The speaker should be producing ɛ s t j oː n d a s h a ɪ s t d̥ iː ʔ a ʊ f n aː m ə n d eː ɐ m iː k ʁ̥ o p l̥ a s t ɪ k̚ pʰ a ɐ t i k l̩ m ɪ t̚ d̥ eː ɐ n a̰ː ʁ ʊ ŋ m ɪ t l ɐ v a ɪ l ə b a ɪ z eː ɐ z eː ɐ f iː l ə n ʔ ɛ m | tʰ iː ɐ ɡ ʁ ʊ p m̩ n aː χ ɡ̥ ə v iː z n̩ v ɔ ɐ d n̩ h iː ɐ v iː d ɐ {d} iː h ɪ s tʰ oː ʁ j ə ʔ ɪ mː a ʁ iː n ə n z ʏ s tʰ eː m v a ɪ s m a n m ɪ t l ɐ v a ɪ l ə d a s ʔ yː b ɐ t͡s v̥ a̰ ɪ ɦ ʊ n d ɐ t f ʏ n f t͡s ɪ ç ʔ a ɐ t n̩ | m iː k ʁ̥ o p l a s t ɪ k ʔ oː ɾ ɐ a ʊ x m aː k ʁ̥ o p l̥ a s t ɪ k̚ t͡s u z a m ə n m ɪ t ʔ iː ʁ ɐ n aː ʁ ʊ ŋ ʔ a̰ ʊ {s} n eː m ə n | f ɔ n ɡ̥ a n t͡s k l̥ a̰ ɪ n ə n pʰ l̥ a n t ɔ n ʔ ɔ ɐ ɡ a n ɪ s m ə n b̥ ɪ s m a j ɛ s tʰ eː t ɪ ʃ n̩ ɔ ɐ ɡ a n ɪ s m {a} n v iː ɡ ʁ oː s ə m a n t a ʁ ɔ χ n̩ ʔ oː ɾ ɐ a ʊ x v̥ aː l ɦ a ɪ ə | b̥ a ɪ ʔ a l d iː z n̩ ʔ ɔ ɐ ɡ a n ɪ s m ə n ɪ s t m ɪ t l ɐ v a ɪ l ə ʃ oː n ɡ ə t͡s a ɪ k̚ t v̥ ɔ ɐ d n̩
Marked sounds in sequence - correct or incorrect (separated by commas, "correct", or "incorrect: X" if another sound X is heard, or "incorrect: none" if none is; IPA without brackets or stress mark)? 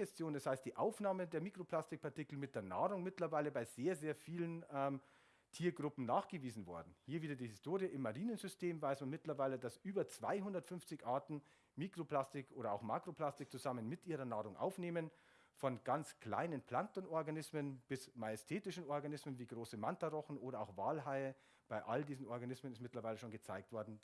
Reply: correct, incorrect: f, incorrect: ə